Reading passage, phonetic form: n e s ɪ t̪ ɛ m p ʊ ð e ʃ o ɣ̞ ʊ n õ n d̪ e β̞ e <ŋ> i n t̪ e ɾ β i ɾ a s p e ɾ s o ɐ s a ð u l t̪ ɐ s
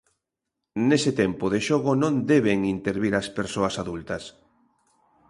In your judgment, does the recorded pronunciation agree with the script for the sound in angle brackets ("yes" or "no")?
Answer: yes